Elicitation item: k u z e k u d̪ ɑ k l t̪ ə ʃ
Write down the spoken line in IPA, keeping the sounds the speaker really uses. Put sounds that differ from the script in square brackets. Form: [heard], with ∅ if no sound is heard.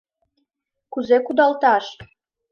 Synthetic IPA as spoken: k u z e k u d̪ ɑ [∅] l t̪ [ɑ] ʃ